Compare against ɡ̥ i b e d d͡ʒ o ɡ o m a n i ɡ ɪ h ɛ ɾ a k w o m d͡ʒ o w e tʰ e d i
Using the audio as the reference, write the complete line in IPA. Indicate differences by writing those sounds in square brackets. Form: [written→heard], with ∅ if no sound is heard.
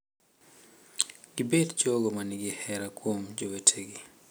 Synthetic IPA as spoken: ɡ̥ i b e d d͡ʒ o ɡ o m a n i ɡ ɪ h ɛ ɾ a k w o m d͡ʒ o w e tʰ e [d→ɡ] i

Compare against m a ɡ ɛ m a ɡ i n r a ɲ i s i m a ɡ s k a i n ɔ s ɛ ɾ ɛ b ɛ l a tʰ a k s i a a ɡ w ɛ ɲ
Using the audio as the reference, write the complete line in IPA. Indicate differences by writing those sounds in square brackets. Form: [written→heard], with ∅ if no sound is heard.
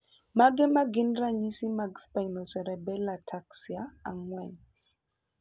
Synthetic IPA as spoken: m a ɡ ɛ m a ɡ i n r a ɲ i s i m a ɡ s [k→p] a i n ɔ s ɛ ɾ ɛ b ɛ l a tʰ a k s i a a [ɡ→ŋ] w ɛ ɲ

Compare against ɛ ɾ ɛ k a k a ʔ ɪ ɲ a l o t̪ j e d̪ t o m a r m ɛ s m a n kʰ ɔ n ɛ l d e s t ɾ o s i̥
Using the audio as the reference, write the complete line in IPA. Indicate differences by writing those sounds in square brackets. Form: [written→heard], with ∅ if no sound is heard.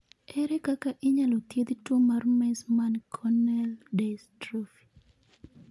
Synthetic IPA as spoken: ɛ ɾ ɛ k a k a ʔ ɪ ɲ a l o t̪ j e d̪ t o m a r m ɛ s m a n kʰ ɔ n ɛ l d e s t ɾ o [s→f] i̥

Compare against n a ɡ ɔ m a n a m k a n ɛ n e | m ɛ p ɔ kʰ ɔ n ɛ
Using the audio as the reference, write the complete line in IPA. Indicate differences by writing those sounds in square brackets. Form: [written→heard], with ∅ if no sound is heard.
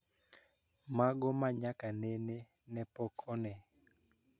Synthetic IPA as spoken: [n→m] a ɡ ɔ m a [n→ɲ] a [m→∅] k a n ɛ n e | [m→n] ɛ p ɔ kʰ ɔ n ɛ

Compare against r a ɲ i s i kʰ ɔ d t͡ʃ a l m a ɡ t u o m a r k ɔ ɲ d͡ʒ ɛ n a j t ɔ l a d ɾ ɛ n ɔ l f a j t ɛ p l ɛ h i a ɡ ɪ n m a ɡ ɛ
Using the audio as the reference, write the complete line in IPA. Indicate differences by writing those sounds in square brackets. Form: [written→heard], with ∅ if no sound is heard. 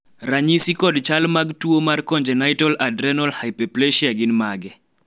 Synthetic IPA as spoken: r a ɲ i s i [kʰ→k] ɔ d t͡ʃ a l m a ɡ t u o m a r k ɔ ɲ d͡ʒ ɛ n a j t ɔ l a d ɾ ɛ n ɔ l [f→h] a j [t→p] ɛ p l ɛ [h→ʃ] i a ɡ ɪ n m a ɡ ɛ

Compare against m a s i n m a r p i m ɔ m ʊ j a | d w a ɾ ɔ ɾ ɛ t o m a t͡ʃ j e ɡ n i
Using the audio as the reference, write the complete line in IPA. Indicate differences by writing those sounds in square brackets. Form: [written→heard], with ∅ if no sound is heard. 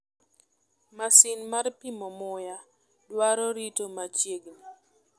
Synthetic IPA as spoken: m a s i n m a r p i m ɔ m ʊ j a | d w a ɾ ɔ ɾ [ɛ→i] t o m a t͡ʃ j e ɡ n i

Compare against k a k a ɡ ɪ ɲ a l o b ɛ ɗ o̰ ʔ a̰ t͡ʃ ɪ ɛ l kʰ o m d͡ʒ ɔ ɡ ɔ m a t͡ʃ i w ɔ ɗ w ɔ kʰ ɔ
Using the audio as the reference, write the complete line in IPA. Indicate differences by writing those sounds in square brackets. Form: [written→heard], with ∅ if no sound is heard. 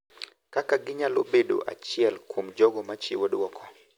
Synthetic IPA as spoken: k a k a ɡ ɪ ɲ a l o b [ɛ→e] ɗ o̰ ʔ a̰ t͡ʃ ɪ ɛ l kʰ o m d͡ʒ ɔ ɡ ɔ m a t͡ʃ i w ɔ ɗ w ɔ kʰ ɔ

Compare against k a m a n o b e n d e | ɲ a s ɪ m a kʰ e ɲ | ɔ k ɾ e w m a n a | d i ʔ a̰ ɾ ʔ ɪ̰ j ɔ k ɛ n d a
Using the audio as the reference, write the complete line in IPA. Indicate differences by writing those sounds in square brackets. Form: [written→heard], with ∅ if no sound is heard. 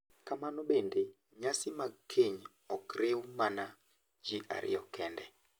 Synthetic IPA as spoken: k a m a n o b e n d e | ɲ a s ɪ m a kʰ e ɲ | ɔ k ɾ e w m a n a | [d→d͡ʒ] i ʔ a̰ ɾ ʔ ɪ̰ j ɔ k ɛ n d [a→ɛ]

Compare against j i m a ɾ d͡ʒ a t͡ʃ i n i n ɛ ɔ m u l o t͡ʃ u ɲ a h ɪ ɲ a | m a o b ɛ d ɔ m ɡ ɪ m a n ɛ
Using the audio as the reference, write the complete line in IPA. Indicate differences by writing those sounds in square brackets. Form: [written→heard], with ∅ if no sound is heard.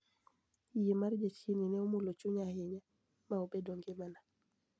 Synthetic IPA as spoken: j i m a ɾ d͡ʒ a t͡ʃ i n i n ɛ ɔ m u l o t͡ʃ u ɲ a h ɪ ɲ a | m a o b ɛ d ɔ [m→ŋ] ɡ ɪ m a n [ɛ→a]

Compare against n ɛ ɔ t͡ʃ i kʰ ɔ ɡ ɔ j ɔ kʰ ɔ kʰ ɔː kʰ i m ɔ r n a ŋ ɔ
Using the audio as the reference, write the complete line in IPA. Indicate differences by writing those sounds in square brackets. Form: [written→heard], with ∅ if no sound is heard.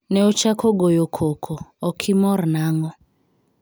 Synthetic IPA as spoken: n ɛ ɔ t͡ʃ [i→a] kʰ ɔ ɡ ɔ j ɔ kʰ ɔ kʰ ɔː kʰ i m ɔ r n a ŋ ɔ

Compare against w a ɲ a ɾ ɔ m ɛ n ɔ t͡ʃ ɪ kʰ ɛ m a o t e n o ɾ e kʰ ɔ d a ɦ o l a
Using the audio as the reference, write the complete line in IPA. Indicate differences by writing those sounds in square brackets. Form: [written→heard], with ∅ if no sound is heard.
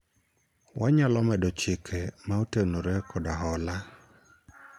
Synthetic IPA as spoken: w a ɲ a [ɾ→l] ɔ m ɛ [n→d] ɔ t͡ʃ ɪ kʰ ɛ m a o t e n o ɾ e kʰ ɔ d a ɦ [o→ɔ] l a

